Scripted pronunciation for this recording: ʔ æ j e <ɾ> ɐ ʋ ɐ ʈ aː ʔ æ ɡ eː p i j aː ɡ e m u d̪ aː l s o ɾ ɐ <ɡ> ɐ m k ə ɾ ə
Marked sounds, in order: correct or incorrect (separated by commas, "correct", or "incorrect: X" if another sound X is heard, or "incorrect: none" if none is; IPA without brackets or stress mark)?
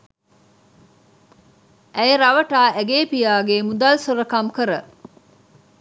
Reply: correct, incorrect: k